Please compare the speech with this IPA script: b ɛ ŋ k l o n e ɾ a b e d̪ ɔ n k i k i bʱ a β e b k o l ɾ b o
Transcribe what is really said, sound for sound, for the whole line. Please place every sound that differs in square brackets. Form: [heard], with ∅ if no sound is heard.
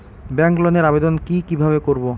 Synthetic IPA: b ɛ ŋ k l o n e ɾ a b e d̪ [o] n k i k i bʱ a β e [∅] k o [∅] ɾ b o